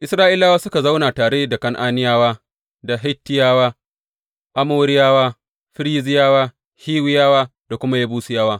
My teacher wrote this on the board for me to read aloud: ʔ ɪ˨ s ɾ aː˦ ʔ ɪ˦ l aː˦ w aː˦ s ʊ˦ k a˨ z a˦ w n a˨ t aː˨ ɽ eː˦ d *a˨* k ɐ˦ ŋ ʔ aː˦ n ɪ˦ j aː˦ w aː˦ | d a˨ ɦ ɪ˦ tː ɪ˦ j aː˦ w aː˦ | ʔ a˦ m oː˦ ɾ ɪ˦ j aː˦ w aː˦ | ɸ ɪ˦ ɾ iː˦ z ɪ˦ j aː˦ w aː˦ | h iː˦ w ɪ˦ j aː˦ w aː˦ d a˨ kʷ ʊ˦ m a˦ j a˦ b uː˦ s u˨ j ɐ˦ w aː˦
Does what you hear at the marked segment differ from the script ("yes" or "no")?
no